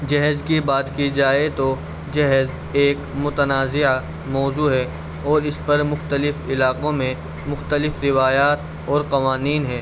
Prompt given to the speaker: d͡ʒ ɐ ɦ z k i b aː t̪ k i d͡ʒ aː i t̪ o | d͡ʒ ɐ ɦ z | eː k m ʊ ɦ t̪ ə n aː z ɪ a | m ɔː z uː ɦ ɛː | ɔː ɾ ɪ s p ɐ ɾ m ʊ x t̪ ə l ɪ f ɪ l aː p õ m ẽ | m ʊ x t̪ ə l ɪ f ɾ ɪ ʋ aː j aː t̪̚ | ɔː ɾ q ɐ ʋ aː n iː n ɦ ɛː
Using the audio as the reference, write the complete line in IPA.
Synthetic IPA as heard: d͡ʒ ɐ ɦ z k i b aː t̪ k i d͡ʒ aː e t̪ o | d͡ʒ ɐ ɦ z | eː k m ʊ t̪ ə n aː z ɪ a | m ɔː z uː ɦ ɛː | ɔː ɾ ɪ s p ɐ ɾ m ʊ x t̪ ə l ɪ f ɪ l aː q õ m ẽ | m ʊ x t̪ ə l ɪ f ɾ ɪ ʋ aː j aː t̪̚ | ɔː ɾ q ɐ ʋ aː n iː n ɦ ɛː